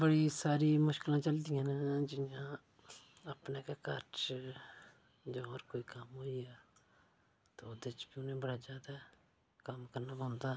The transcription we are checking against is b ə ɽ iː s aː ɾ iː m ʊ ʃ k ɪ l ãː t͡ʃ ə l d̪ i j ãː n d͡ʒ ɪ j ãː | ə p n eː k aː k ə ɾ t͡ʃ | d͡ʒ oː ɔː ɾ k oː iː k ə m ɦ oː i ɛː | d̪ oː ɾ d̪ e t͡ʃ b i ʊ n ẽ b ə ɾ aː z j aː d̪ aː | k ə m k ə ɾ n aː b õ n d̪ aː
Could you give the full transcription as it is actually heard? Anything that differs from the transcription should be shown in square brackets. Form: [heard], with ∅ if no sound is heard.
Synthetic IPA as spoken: b ə ɽ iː s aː ɾ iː m ʊ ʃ k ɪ l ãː t͡ʃ ə l d̪ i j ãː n d͡ʒ ɪ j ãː | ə p n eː k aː k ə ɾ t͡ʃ | d͡ʒ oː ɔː ɾ k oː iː k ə m ɦ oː i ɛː | [t̪] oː [∅] d̪ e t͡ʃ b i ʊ n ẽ b ə [ɽ] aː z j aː d̪ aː | k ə m k ə ɾ n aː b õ n d̪ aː